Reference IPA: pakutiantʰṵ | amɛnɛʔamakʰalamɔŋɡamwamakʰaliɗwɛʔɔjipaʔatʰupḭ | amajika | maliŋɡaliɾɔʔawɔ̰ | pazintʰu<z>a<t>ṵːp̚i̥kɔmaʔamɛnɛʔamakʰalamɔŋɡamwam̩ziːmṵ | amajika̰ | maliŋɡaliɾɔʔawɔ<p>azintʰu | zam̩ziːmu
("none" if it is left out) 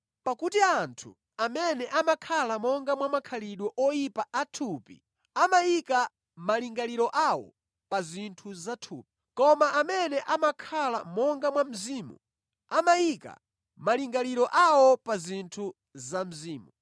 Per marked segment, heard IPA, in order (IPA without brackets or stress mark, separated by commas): z, tʰ, p